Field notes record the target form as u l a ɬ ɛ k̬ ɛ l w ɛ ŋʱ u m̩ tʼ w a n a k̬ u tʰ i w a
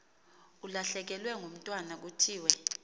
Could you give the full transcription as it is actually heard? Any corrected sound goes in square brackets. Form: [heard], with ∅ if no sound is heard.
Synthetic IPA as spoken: u l a ɬ ɛ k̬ ɛ l w ɛ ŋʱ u m̩ tʼ w a n a k̬ u tʰ [iː] w [ɛ]